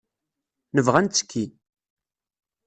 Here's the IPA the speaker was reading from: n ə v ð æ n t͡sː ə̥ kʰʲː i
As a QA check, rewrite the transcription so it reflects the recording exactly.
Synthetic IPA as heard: n ə v ʁ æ n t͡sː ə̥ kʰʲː i